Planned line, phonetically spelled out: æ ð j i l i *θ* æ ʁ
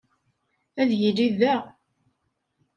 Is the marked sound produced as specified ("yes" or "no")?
no